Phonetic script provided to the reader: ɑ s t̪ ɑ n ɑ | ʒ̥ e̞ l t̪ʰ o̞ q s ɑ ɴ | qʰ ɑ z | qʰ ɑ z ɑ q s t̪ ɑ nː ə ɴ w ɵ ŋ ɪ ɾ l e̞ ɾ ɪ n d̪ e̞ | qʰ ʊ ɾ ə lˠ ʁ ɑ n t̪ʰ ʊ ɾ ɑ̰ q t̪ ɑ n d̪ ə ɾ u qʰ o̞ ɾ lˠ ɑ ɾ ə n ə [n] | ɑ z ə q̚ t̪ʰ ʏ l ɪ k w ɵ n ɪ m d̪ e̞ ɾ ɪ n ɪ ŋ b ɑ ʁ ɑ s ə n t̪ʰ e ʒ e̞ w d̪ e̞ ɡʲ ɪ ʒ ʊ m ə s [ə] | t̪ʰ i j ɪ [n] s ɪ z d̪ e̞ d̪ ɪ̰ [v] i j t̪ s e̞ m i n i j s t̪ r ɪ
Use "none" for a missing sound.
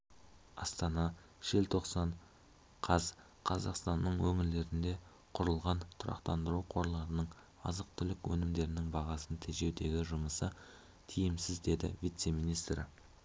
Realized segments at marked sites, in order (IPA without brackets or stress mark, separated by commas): ɴ, ə, m, v